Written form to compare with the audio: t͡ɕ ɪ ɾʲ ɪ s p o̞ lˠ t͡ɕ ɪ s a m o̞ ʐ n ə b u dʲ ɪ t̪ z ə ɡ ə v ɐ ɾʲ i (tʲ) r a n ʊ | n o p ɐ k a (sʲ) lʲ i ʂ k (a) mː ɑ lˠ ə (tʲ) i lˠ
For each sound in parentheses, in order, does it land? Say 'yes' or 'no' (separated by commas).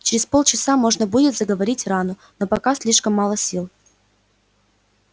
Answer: yes, yes, no, no